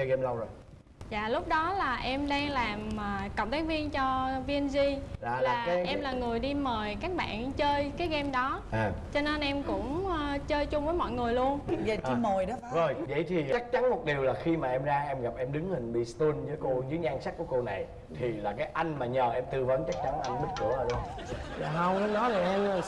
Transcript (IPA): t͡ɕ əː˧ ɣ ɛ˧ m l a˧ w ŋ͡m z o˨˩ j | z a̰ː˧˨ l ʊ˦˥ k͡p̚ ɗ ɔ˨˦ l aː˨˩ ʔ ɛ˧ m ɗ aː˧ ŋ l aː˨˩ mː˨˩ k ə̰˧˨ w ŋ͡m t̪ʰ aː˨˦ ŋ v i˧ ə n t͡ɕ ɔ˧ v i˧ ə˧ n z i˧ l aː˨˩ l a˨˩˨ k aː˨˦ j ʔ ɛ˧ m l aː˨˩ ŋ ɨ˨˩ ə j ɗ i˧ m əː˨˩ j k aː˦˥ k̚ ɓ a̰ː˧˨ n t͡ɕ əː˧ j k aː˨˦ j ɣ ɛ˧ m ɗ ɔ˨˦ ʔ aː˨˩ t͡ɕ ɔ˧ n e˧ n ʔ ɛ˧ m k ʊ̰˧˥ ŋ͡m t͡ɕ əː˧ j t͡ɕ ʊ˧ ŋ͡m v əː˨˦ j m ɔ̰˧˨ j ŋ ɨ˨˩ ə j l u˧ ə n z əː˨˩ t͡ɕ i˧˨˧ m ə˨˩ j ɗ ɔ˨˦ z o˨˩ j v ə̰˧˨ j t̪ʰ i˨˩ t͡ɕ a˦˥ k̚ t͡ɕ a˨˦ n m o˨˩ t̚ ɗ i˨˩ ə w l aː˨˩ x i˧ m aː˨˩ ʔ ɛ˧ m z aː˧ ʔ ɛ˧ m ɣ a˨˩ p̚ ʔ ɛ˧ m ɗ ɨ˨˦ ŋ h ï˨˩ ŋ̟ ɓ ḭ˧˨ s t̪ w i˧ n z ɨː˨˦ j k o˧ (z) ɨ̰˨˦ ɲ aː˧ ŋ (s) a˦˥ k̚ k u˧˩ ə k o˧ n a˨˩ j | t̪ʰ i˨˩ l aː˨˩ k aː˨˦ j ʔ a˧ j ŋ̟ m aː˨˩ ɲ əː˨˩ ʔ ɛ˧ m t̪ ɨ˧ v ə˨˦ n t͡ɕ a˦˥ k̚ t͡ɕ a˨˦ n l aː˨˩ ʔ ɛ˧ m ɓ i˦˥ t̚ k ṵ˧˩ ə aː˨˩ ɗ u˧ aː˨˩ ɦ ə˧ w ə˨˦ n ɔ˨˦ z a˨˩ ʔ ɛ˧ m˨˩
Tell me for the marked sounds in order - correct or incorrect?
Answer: correct, correct

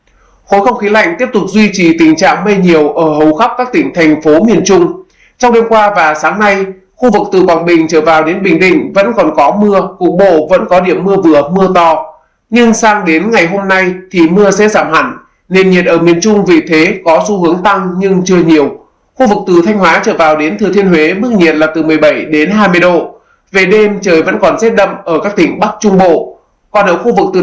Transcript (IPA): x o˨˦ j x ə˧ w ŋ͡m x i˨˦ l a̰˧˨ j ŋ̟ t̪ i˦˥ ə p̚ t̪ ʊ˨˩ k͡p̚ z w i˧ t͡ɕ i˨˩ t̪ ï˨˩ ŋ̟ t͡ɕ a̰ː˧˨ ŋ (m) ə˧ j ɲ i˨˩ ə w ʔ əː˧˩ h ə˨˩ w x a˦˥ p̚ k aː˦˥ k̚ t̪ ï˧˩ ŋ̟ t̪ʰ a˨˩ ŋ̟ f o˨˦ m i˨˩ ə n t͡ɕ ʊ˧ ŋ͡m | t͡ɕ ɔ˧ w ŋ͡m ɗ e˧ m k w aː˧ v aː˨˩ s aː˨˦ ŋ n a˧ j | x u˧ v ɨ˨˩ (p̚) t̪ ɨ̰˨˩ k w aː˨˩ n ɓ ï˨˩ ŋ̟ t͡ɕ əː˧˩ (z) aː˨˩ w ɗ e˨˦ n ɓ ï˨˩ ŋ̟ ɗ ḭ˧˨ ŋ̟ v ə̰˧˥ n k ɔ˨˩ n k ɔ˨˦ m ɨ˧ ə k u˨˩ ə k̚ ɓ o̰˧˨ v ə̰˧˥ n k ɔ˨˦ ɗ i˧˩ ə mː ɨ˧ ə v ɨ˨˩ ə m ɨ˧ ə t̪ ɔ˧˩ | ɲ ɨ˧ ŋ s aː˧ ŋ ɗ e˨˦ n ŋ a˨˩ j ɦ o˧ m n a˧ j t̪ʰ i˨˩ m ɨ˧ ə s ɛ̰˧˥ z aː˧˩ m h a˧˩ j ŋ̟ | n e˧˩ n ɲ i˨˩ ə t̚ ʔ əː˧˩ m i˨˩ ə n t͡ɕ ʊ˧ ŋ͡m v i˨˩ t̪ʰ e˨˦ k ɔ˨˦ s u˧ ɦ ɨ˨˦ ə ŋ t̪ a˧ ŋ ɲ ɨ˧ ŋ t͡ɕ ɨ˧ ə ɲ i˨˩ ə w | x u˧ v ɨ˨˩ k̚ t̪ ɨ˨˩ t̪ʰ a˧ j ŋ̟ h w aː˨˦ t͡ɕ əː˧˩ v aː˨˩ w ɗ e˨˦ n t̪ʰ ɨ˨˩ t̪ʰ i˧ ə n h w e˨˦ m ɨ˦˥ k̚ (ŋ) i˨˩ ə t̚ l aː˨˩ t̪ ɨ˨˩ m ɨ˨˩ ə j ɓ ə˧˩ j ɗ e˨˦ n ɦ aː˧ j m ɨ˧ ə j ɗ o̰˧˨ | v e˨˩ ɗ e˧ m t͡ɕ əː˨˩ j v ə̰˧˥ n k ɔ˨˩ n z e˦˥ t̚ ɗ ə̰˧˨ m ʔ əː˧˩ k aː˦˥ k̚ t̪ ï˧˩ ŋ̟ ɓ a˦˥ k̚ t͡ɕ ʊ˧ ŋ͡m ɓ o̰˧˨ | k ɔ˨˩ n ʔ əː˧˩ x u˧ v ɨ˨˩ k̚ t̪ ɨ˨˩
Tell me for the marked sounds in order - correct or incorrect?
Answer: correct, incorrect, incorrect, incorrect

